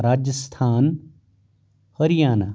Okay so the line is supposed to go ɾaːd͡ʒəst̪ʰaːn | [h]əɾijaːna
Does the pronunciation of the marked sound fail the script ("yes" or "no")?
no